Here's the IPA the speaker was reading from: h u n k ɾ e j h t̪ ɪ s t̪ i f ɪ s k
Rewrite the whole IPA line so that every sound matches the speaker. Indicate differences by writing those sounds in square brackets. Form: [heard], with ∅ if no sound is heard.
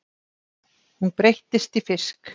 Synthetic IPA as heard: h u n [p] ɾ e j h t̪ ɪ s t̪ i f ɪ s k